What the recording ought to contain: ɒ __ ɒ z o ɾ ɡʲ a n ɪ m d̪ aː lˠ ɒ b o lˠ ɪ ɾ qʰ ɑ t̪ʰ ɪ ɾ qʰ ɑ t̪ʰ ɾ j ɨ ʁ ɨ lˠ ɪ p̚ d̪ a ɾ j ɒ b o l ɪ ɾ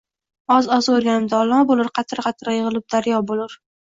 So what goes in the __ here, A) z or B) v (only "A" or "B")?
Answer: A